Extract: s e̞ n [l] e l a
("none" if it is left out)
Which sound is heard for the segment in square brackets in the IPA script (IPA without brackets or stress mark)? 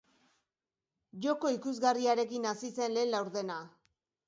l